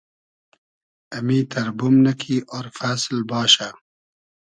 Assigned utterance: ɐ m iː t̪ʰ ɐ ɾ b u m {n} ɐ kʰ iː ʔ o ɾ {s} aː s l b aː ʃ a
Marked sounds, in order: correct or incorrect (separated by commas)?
correct, incorrect